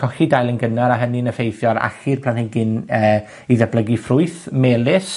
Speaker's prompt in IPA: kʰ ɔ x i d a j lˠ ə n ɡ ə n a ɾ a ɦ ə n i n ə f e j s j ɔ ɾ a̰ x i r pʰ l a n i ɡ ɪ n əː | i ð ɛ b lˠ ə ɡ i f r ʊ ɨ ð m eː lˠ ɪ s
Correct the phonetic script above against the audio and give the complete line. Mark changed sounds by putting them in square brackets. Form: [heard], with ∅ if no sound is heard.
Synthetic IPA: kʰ ɔ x i d a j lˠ ə n ɡ ə n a ɾ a ɦ ə n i n ə f e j [θ] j ɔ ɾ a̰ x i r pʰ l a n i ɡ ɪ n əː | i ð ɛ b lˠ ə ɡ i f r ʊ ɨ [θ] m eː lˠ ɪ s